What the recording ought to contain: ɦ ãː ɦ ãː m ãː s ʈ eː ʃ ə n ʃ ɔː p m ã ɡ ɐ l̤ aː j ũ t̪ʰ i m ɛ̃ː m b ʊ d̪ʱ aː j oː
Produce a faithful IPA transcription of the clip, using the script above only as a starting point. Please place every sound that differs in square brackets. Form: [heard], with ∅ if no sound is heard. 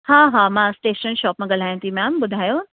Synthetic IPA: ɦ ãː ɦ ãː m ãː s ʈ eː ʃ ə n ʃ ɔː p m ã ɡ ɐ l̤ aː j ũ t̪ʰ i m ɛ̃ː m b ʊ d̪ʱ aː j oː